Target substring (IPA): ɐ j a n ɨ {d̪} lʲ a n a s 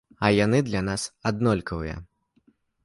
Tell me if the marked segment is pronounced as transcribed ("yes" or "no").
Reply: yes